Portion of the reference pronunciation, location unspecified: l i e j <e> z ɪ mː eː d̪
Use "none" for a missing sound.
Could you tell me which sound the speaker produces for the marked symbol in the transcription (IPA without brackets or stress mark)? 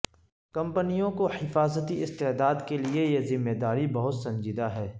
e